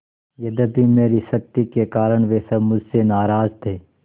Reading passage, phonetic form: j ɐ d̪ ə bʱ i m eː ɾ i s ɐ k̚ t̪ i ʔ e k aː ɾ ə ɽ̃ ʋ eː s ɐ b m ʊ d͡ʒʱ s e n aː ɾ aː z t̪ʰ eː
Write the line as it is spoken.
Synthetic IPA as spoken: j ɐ d̪ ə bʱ i m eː ɾ i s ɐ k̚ t̪ i k e k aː ɾ ə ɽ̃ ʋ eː s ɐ b m ʊ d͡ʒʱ s e n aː ɾ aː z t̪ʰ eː